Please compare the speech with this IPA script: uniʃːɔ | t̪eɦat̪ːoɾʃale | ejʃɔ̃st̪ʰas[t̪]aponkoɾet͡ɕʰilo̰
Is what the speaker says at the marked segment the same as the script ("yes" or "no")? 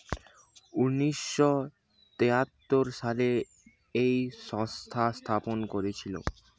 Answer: no